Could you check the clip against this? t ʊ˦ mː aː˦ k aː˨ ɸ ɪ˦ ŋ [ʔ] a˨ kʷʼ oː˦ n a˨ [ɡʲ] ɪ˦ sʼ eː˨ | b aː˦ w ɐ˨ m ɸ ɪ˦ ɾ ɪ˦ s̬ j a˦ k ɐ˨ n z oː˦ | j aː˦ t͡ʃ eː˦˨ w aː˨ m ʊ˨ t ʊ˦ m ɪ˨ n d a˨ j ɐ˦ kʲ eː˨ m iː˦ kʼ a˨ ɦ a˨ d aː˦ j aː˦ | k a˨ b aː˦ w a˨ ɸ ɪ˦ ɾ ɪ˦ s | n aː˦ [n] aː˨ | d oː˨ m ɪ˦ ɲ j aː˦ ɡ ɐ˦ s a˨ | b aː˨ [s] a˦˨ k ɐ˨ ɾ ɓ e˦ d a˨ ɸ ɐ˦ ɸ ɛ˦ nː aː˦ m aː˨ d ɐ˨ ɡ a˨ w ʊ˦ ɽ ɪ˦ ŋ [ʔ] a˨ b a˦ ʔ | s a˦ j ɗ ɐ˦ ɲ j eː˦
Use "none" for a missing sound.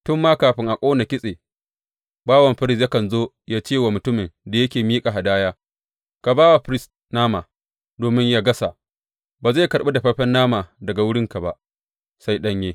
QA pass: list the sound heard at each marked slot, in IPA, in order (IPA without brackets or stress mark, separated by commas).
ʔ, kʲ, m, z, k